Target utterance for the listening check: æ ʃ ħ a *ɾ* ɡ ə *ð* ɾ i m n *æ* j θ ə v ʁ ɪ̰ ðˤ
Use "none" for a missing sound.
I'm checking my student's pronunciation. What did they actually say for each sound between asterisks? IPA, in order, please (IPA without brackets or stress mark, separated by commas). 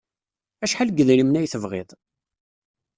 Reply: l, ð, æ